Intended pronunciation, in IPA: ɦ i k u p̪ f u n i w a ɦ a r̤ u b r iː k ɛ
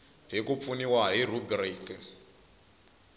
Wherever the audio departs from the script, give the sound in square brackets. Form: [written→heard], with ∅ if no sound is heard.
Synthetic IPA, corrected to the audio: ɦ i k u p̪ f u n i w a ɦ [a→i] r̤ u b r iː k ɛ